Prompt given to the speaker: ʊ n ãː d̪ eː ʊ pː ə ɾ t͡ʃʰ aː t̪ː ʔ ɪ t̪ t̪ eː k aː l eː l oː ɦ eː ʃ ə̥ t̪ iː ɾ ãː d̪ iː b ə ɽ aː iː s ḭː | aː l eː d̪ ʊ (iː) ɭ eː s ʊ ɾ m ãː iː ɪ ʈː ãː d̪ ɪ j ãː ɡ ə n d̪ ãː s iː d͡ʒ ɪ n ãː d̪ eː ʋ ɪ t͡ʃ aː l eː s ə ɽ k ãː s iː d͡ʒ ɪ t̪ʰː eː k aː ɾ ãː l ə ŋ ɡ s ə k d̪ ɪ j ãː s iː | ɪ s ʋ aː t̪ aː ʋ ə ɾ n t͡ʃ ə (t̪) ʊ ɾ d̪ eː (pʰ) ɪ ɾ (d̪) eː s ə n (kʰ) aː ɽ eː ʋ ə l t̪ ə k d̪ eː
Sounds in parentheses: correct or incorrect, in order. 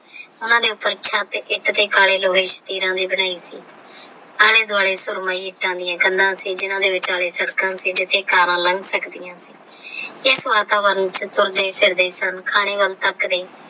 incorrect, correct, correct, correct, correct

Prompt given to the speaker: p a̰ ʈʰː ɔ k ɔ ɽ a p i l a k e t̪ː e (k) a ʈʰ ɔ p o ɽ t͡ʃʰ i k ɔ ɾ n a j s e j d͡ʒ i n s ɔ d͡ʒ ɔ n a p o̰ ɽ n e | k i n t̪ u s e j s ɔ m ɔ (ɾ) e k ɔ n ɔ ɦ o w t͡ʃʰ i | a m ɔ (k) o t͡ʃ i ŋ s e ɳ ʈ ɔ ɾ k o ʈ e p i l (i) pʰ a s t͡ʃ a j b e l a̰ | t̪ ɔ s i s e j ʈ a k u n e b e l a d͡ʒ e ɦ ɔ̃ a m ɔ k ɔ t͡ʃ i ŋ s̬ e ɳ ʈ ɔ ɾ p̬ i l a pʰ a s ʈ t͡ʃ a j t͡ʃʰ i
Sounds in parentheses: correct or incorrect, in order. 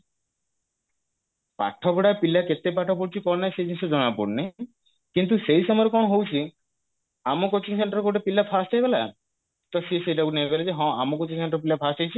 incorrect, correct, correct, incorrect

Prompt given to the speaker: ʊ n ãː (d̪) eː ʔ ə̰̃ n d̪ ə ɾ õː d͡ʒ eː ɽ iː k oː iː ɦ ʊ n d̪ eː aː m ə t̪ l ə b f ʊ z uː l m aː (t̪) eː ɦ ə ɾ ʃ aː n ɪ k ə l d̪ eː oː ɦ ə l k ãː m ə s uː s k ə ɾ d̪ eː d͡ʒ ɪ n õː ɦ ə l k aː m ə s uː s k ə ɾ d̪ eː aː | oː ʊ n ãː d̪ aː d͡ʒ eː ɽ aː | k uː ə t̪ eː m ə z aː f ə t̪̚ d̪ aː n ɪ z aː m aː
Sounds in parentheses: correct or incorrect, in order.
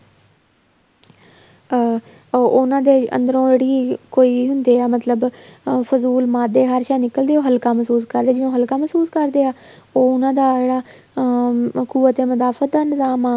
correct, incorrect

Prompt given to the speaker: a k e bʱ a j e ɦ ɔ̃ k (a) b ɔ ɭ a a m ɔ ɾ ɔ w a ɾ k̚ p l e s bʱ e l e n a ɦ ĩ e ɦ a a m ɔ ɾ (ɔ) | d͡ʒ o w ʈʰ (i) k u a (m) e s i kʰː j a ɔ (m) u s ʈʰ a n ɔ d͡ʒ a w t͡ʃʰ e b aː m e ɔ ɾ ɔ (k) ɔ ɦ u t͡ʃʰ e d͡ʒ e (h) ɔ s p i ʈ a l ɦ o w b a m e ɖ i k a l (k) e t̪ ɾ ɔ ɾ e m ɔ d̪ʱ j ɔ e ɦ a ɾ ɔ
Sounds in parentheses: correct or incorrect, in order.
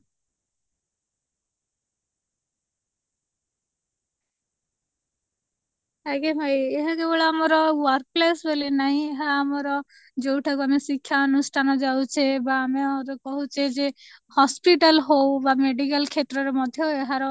incorrect, correct, incorrect, correct, incorrect, correct, correct, incorrect

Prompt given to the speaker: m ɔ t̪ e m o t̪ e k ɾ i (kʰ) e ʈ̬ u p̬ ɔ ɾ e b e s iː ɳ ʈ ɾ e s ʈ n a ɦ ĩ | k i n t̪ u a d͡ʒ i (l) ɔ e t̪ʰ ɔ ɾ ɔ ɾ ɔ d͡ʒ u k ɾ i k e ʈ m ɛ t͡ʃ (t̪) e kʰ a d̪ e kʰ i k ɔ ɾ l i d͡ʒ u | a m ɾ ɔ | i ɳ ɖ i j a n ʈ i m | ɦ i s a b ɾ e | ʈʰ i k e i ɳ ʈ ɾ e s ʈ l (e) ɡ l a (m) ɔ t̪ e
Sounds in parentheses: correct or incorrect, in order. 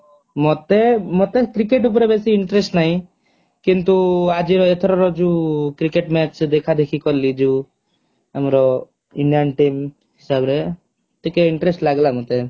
incorrect, incorrect, incorrect, incorrect, correct

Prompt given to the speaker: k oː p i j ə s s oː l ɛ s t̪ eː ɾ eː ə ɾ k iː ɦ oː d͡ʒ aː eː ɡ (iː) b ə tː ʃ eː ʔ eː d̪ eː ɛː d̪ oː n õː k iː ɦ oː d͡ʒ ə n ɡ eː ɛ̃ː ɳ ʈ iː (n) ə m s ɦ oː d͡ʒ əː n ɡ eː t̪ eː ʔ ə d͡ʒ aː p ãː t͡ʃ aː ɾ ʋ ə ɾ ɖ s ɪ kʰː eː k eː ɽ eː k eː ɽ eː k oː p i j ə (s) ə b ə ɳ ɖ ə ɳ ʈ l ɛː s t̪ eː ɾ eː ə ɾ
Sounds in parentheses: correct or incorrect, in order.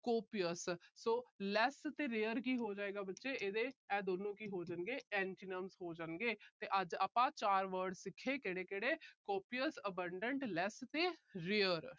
incorrect, correct, correct

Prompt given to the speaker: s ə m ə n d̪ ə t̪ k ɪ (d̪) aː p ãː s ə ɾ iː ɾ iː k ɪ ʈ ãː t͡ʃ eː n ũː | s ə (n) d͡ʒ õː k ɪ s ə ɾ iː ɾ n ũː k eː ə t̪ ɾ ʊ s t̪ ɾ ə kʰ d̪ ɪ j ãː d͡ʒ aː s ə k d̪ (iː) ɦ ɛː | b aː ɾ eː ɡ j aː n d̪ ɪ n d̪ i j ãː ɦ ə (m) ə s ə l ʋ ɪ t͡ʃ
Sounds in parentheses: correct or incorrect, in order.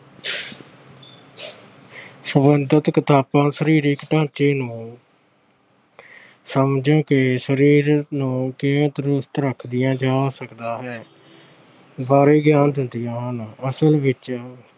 incorrect, incorrect, incorrect, incorrect

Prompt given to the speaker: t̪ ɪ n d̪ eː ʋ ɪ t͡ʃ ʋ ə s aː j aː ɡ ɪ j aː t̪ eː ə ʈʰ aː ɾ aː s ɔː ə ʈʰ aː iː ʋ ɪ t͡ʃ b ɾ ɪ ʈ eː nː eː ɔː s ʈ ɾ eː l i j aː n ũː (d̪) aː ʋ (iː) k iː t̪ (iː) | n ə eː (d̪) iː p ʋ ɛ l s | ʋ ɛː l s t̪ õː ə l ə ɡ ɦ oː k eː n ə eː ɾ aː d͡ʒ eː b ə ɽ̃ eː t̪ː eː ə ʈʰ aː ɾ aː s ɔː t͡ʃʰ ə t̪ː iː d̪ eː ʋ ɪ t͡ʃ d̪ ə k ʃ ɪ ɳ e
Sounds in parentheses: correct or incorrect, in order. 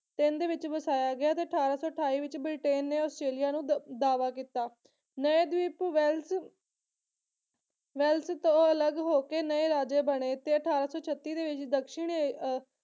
correct, incorrect, incorrect, correct

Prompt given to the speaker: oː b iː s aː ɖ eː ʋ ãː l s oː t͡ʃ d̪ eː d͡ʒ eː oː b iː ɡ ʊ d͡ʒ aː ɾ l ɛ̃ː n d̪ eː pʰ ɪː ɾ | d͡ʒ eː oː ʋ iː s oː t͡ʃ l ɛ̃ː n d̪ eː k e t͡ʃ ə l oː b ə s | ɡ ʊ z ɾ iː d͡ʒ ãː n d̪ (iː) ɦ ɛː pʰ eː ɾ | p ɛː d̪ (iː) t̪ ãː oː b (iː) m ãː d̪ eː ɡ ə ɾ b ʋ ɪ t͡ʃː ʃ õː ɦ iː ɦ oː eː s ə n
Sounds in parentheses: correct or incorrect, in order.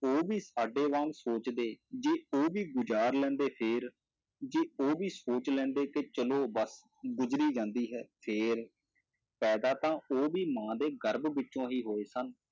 correct, incorrect, correct

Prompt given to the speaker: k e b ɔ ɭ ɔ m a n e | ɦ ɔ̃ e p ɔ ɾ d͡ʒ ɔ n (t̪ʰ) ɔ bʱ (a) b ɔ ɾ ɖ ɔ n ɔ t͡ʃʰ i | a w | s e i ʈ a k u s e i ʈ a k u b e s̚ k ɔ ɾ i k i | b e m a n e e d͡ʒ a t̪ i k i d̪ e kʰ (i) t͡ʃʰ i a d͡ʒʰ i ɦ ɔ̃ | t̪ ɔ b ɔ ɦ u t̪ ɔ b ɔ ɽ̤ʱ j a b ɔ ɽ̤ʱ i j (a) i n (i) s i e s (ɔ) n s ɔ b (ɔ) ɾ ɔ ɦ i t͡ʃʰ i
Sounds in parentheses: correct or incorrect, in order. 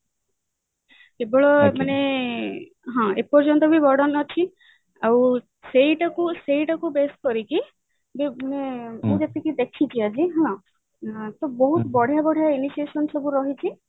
incorrect, incorrect, correct, correct, correct, correct, incorrect

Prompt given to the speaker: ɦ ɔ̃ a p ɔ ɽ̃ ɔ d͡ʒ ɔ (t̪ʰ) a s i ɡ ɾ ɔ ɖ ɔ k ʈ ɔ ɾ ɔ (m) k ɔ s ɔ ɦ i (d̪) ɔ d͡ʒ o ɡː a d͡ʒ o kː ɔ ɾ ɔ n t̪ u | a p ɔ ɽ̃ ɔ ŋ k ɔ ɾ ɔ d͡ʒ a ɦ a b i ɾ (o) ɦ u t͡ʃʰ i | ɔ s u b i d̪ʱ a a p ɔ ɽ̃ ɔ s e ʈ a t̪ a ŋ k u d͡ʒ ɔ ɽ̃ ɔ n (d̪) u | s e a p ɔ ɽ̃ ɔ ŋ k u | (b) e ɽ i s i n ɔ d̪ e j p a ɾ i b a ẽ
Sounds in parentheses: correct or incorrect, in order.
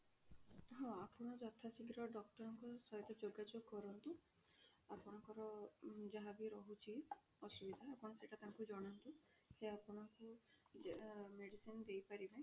correct, incorrect, incorrect, incorrect, incorrect, incorrect

